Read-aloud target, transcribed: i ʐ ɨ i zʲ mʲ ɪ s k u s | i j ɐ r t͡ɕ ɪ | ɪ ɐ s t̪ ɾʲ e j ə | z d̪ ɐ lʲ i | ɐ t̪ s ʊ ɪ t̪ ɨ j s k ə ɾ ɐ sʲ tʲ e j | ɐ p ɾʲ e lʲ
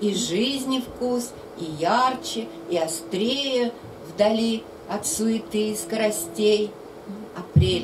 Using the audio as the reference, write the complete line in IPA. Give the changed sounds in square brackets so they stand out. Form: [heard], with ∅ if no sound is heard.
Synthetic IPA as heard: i ʐ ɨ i zʲ [nʲ] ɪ [f] k u s | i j [a] r t͡ɕ ɪ | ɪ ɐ s t̪ ɾʲ e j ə | [v] d̪ ɐ lʲ i | ɐ t̪ s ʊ ɪ t̪ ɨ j s k ə ɾ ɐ sʲ tʲ e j | ɐ p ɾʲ e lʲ